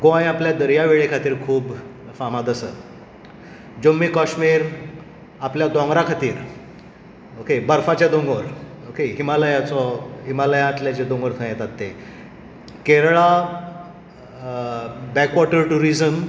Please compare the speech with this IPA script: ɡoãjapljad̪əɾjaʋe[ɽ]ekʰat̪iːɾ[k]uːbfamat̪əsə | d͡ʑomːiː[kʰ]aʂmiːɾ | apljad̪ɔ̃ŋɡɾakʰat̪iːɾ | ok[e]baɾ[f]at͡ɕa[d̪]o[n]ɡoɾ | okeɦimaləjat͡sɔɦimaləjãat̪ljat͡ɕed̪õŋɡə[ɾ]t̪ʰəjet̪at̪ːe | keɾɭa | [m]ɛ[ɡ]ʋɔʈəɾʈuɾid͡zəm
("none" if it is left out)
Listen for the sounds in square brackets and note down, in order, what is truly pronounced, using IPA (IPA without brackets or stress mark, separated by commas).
ɭ, kʰ, k, e, f, d̪, ŋ, ɾ, b, k